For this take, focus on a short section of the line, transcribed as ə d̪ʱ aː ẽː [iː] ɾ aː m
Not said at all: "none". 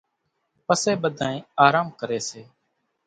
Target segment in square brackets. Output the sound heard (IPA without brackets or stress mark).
aː